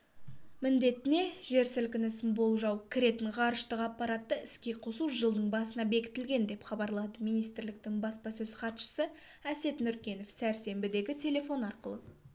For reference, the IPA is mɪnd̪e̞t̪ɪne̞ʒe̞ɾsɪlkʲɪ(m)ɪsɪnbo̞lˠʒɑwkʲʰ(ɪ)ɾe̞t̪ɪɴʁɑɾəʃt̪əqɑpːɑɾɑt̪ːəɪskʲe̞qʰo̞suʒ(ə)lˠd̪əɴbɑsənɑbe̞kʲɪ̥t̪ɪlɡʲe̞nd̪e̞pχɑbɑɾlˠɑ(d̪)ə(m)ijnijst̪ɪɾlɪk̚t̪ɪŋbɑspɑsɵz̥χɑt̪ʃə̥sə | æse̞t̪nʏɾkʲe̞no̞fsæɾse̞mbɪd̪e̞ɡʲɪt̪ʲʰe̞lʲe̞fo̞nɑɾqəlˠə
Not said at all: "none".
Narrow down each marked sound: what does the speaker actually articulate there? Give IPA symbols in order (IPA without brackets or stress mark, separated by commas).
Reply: n, ɪ, ə, d̪, m